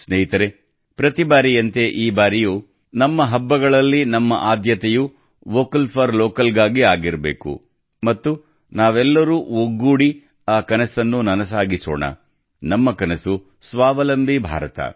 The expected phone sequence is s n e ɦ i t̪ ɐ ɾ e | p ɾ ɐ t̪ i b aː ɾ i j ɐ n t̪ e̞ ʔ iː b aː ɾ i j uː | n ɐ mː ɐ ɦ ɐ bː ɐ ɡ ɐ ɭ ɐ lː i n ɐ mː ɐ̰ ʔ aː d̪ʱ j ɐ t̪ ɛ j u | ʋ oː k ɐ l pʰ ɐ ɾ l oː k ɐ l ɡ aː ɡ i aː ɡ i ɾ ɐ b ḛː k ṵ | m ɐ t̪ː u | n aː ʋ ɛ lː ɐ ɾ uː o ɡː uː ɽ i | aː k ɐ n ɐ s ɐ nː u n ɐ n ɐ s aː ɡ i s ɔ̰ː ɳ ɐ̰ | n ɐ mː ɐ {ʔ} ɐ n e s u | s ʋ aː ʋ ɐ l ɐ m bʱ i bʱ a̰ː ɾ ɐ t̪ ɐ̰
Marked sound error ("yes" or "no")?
yes